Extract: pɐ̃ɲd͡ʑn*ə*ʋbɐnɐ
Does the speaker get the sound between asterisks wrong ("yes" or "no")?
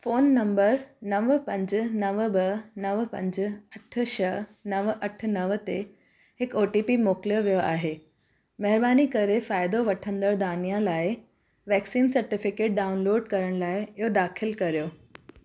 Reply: yes